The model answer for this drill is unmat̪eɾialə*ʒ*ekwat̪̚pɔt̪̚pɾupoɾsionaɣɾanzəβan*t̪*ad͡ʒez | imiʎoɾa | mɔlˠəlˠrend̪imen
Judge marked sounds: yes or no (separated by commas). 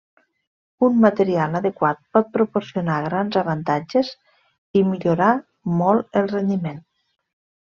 no, yes